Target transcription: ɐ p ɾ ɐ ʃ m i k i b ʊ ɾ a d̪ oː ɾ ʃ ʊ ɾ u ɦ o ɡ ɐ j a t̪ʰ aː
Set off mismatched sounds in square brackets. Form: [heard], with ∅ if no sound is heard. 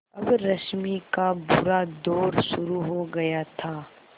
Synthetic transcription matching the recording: ɐ [b] ɾ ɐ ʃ m i k [a] b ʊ ɾ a d̪ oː ɾ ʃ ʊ ɾ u ɦ o ɡ ɐ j a t̪ʰ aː

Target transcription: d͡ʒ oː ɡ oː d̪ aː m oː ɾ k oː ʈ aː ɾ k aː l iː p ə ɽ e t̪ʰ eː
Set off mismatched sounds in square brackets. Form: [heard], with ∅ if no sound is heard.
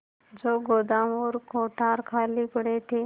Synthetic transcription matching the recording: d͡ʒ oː ɡ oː d̪ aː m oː ɾ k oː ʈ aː ɾ [kʰ] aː l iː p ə ɽ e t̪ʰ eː

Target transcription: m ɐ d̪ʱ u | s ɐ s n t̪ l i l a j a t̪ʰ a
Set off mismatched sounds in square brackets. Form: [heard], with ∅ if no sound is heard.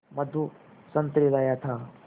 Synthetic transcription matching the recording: m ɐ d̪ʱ u | s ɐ [∅] n t̪ [ɾ] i l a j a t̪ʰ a

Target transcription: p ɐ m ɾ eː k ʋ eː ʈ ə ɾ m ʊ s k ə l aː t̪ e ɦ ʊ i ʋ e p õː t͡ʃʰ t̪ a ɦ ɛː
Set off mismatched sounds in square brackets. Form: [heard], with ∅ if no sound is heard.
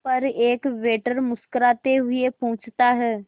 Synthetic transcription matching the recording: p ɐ [∅] ɾ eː k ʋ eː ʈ ə ɾ m ʊ s k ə [ɾ] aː t̪ e ɦ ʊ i [∅] e p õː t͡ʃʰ t̪ a ɦ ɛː

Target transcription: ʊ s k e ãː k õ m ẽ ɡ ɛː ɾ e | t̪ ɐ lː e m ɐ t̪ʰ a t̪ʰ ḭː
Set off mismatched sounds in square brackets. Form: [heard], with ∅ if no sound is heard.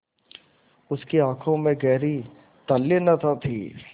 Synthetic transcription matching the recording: ʊ s k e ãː [kʰ] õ m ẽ ɡ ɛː ɾ [i] | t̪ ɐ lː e [n] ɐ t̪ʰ a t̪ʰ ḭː

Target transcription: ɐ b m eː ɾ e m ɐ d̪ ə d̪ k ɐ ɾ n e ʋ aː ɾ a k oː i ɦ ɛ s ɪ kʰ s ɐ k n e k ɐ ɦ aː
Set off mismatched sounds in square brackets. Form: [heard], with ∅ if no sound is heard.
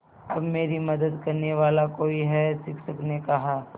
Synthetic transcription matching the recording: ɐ b m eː ɾ [i] m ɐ d̪ ə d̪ k ɐ ɾ n e ʋ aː [l] a k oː i ɦ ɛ s ɪ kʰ s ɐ k n e k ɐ ɦ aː

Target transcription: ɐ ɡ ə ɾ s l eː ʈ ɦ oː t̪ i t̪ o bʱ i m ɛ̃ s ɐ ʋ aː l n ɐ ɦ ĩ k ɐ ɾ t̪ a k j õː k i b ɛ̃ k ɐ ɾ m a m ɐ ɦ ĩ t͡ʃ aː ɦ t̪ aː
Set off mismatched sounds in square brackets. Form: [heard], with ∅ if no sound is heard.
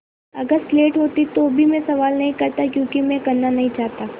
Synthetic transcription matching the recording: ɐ ɡ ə ɾ s l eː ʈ ɦ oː t̪ i t̪ o bʱ i m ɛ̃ s ɐ ʋ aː l n ɐ ɦ ĩ k ɐ ɾ t̪ a k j õː k i [m] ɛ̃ k ɐ ɾ [n] a [n] ɐ ɦ ĩ t͡ʃ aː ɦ t̪ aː

